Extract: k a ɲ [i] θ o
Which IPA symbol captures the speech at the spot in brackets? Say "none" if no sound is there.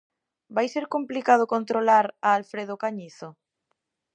i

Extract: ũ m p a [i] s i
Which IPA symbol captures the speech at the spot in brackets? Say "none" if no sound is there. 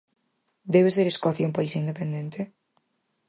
i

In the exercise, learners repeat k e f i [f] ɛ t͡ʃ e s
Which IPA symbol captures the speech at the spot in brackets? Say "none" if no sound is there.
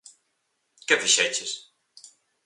ʃ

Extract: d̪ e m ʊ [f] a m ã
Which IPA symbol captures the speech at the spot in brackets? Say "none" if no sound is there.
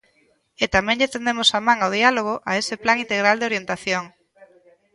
s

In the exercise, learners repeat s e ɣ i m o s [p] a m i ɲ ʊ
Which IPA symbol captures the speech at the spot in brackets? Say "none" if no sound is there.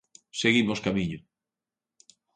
k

